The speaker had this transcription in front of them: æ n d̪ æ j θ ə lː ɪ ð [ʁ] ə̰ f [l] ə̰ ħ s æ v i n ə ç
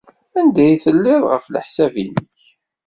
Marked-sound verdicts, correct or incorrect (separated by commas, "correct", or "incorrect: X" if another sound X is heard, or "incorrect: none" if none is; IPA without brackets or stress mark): correct, correct